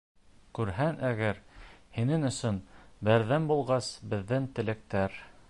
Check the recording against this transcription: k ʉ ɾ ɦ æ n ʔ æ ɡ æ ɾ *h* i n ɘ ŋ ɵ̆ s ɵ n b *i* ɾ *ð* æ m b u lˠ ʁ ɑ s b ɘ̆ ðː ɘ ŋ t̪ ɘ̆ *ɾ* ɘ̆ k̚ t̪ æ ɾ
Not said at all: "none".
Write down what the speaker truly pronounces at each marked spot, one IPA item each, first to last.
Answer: h, æ, ð, l

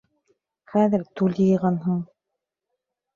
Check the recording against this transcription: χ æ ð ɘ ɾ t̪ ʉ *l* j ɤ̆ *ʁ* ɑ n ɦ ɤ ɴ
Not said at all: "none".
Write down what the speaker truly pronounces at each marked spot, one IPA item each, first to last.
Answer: l, ʁ

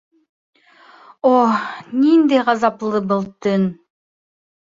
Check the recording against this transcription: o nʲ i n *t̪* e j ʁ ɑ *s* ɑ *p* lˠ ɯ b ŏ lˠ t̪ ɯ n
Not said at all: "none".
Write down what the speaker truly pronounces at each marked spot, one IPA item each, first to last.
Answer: d̪, z, p

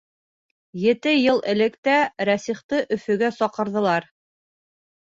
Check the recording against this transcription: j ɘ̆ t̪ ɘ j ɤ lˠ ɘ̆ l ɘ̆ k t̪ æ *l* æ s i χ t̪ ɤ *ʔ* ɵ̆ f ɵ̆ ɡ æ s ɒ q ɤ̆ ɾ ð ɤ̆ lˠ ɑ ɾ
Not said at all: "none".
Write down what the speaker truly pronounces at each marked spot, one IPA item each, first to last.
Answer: ɾ, ʔ

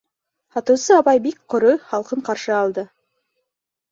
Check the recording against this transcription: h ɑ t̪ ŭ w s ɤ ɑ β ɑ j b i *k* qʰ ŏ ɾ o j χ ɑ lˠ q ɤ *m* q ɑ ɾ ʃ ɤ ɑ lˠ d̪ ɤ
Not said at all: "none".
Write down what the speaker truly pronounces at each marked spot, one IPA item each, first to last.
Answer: k, ɴ

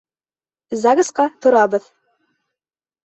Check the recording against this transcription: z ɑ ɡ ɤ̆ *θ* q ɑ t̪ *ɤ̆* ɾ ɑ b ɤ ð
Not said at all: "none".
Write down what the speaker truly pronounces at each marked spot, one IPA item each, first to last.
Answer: s, ŏ

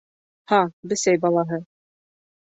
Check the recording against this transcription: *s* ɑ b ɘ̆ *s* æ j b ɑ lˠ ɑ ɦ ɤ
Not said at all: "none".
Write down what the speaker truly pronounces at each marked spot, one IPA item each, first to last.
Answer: h, s

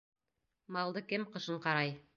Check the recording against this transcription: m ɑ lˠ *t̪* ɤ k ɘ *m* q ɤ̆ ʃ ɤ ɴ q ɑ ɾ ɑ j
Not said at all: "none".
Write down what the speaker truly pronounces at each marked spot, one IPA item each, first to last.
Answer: d̪, m

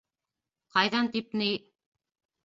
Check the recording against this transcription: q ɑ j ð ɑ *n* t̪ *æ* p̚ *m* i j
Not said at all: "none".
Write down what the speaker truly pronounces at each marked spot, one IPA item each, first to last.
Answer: n, i, n

